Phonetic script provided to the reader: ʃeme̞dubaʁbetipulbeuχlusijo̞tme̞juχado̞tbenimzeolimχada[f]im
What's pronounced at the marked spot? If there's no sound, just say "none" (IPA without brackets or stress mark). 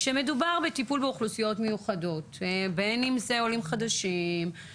ʃ